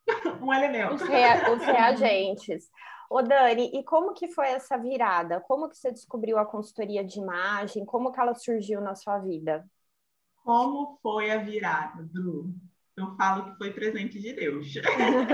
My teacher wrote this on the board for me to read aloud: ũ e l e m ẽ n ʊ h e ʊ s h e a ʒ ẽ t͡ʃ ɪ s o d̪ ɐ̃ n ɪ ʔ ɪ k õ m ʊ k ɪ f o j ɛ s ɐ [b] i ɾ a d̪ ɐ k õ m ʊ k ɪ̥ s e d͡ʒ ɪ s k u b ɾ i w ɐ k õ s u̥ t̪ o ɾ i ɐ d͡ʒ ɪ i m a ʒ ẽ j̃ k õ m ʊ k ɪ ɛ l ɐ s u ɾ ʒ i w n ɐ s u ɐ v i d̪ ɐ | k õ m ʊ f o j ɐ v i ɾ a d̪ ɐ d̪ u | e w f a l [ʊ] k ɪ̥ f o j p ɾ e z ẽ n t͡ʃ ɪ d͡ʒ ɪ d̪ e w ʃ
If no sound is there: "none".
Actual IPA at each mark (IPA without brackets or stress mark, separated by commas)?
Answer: v, ʊ